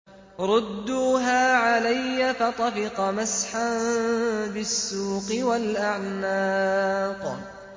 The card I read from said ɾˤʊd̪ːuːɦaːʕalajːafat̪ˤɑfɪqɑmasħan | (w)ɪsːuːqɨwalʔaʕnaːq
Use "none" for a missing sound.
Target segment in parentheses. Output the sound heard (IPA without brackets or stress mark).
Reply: b